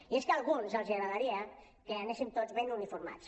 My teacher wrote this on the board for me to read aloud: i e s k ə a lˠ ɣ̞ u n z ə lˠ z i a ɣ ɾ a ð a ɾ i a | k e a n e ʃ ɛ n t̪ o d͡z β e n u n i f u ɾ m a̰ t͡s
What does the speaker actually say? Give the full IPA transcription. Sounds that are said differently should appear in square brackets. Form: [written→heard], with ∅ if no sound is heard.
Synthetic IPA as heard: i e s k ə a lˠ ɣ̞ u n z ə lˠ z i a ɣ ɾ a ð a ɾ i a | k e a n e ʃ [ɛ→i] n t̪ o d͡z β e n u n i f u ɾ m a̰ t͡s